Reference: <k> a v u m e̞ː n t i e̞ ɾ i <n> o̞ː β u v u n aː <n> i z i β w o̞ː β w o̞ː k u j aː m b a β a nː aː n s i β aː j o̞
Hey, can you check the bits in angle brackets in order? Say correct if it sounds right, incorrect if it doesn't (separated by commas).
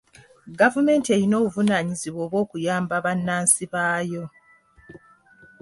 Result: incorrect, correct, incorrect